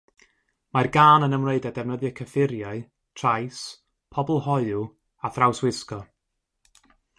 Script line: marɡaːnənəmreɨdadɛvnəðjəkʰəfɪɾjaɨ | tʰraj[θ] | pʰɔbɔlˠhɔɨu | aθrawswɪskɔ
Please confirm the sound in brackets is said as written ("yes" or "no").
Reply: no